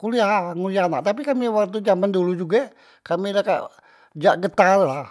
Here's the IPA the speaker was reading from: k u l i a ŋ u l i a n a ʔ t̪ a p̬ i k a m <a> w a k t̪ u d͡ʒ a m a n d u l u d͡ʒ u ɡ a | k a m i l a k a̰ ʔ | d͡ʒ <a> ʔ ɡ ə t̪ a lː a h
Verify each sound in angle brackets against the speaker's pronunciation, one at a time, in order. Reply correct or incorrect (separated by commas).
incorrect, correct